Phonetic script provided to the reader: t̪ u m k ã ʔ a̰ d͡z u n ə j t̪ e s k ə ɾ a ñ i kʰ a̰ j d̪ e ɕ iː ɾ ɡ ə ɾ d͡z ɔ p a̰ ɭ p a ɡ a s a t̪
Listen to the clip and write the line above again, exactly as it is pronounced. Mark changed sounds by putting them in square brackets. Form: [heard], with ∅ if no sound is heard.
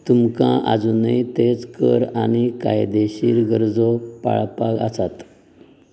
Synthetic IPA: t̪ u m k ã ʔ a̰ d͡z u n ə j t̪ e [t͡s] k ə ɾ a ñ i [k] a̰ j d̪ e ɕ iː ɾ ɡ ə ɾ d͡z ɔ p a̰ ɭ p a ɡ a s a t̪